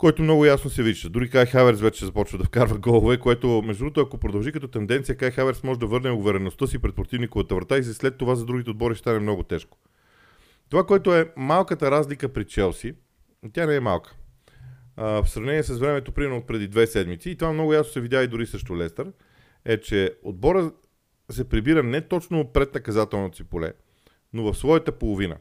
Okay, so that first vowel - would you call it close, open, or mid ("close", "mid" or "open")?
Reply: mid